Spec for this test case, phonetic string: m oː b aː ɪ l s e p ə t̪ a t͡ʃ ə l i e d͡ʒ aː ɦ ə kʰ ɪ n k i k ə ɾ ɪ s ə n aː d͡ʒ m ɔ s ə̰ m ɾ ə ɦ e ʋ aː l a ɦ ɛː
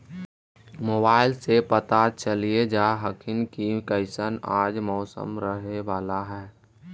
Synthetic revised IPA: m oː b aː ɪ l s e p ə t̪ a t͡ʃ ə l i e d͡ʒ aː ɦ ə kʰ ɪ n k i k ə ɪ s ə n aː d͡ʒ m ɔː s ə̰ m ɾ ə ɦ e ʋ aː l a ɦ ɛː